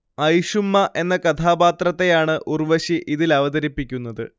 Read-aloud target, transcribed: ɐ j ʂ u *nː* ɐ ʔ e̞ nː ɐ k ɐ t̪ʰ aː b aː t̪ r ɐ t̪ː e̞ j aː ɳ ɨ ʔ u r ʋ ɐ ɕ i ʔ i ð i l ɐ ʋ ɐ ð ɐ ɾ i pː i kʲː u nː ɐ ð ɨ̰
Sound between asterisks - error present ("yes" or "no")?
yes